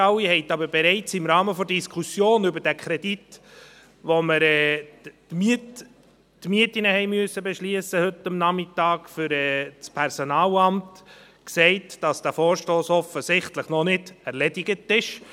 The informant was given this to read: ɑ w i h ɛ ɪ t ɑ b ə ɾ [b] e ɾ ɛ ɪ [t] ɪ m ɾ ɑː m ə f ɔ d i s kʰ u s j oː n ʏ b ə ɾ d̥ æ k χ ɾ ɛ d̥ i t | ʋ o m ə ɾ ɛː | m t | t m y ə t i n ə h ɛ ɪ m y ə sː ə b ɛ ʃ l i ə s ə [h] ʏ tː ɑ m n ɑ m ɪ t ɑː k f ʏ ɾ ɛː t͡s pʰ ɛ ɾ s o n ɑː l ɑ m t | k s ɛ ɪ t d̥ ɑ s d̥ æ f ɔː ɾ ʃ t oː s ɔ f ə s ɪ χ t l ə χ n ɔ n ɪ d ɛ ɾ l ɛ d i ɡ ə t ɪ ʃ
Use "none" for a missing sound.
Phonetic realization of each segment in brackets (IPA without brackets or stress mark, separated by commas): b, t͡s, h